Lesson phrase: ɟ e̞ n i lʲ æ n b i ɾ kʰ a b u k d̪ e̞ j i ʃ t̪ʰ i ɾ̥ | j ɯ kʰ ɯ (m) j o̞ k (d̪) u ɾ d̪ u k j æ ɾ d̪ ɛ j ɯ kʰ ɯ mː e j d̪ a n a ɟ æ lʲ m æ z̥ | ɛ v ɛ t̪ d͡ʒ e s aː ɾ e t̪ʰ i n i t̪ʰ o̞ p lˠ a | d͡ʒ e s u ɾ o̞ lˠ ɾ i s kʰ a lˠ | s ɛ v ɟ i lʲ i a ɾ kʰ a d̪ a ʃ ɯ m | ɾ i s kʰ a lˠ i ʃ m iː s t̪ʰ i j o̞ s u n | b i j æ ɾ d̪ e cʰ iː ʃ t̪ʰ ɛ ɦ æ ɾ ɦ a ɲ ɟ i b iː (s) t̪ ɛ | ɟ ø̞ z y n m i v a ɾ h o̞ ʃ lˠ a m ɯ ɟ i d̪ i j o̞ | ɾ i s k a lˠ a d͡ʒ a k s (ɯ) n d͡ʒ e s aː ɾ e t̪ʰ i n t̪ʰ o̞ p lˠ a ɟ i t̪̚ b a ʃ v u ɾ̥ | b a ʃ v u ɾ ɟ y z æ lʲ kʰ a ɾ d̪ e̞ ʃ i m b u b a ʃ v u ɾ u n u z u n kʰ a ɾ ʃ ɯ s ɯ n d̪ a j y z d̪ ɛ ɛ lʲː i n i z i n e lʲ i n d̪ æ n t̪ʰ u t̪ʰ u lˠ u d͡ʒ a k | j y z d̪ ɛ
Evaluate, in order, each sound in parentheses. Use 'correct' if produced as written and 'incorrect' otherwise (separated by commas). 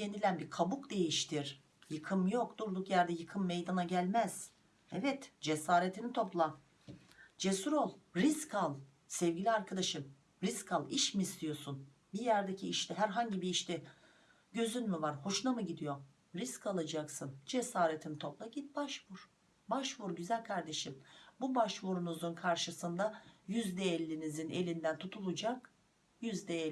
correct, correct, incorrect, correct